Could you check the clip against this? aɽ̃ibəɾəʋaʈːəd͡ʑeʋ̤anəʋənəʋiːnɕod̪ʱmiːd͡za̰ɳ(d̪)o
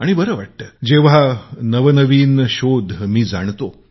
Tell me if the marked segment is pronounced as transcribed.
no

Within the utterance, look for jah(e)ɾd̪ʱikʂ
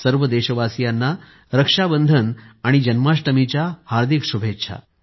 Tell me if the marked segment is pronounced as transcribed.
no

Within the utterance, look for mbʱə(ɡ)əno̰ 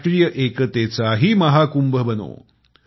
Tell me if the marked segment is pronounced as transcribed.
no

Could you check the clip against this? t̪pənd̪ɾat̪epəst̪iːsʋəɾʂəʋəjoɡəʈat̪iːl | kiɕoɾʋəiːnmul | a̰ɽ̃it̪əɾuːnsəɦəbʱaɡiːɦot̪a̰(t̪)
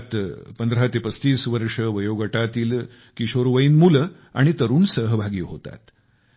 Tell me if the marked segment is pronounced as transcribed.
yes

